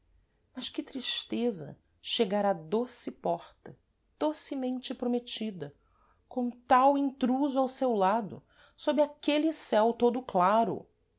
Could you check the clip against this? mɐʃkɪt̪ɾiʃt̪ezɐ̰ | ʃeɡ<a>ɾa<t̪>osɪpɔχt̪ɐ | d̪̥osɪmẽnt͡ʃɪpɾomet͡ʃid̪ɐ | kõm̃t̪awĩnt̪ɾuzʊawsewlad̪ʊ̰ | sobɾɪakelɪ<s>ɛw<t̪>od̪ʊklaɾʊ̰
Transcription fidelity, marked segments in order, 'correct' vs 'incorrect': correct, incorrect: d̪, correct, correct

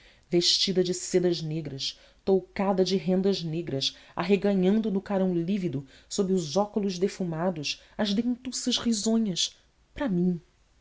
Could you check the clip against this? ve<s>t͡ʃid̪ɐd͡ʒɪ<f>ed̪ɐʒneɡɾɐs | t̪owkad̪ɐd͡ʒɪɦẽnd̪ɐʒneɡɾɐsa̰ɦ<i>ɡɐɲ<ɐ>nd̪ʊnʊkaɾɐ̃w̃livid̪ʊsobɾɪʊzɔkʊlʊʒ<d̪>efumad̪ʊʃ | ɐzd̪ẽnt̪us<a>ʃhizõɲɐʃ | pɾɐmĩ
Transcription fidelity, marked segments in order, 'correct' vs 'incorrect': incorrect: ʃ, incorrect: s, incorrect: e, incorrect: ɐ̃, correct, incorrect: ɐ

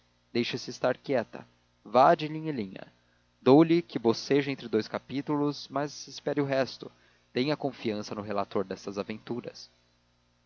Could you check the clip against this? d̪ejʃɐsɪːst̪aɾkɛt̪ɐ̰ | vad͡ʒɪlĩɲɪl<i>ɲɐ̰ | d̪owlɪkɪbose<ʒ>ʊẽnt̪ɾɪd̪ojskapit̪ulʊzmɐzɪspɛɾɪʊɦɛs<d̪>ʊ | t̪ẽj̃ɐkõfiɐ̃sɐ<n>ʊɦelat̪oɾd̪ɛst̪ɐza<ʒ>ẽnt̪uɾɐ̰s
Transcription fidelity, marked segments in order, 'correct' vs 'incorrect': incorrect: ĩ, correct, incorrect: t̪, correct, incorrect: v

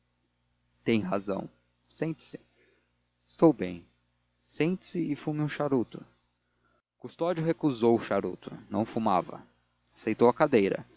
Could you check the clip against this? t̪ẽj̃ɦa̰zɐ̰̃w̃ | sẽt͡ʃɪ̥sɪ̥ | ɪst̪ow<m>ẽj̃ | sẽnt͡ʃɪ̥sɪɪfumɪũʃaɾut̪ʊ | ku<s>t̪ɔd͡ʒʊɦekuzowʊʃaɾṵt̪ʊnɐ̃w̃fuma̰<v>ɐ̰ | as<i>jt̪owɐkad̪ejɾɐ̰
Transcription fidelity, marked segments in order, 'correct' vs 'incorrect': incorrect: b, correct, correct, incorrect: e

